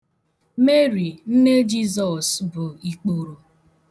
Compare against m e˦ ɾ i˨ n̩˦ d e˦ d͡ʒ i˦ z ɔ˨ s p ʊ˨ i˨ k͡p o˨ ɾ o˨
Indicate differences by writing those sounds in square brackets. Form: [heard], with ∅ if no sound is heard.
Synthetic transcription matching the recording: m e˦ ɾ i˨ n̩˦ [n] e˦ d͡ʒ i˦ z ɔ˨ s [b] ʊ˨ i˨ k͡p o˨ ɾ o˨